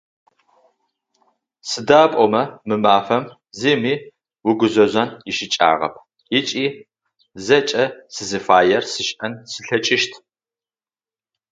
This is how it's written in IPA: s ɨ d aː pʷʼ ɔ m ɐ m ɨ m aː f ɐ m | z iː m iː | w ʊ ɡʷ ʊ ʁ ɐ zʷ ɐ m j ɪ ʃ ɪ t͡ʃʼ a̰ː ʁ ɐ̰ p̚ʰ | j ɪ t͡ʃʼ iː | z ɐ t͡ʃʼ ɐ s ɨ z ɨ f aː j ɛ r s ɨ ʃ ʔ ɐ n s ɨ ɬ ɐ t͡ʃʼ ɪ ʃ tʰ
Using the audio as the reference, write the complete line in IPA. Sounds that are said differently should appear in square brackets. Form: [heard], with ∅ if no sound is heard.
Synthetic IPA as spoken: s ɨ d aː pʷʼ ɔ m ɐ m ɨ m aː f ɐ m | z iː m iː | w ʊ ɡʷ ʊ [z] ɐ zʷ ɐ [n] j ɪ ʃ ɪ t͡ʃʼ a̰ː ʁ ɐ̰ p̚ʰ | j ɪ t͡ʃʼ iː | z ɐ t͡ʃʼ ɐ s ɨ z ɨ f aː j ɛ r s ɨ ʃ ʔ ɐ n s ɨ ɬ ɐ t͡ʃʼ ɪ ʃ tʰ